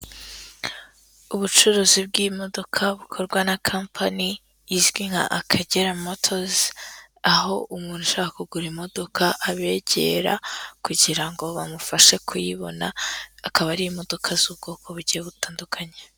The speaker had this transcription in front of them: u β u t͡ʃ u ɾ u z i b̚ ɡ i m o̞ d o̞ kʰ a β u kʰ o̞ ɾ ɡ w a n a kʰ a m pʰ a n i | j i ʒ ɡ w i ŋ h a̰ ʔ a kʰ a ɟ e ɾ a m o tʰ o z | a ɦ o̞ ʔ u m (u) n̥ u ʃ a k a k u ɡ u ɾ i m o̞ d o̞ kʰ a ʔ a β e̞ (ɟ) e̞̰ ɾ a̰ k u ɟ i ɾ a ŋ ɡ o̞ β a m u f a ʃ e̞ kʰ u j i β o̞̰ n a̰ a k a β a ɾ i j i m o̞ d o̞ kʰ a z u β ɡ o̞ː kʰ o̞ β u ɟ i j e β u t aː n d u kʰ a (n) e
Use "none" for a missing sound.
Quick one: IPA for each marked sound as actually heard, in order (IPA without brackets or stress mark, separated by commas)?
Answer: uː, ɟ, ɲ